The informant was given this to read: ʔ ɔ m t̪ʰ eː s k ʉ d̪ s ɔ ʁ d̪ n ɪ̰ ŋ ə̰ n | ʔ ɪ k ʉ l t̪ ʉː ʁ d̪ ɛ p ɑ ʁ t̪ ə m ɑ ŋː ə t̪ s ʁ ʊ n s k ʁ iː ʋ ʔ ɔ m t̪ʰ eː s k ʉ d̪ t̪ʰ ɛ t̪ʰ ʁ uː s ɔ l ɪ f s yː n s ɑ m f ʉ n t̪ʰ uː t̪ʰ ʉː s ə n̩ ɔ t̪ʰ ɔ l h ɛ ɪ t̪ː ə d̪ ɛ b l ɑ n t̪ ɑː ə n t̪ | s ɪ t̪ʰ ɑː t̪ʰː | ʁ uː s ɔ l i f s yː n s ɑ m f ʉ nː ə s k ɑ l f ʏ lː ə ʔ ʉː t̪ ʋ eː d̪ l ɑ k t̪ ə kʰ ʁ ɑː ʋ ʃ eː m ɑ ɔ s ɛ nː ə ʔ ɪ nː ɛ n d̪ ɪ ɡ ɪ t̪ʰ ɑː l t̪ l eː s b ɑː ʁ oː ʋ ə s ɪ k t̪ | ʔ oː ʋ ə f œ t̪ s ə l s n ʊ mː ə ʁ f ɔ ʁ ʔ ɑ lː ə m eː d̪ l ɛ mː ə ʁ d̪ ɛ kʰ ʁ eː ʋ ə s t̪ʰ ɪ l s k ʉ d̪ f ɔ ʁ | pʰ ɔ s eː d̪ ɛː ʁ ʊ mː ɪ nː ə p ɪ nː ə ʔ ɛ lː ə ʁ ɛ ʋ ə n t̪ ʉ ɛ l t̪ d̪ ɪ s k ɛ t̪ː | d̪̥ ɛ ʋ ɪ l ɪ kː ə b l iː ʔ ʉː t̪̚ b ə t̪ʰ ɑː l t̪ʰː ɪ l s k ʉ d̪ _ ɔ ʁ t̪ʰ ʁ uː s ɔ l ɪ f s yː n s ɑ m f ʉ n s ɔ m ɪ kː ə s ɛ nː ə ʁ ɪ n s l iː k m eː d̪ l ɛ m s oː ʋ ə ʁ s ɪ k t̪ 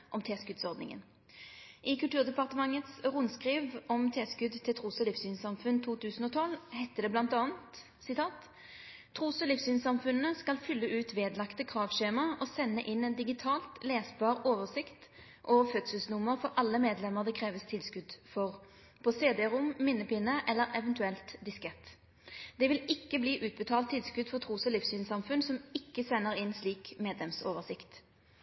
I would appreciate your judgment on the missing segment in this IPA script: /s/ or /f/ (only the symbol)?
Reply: f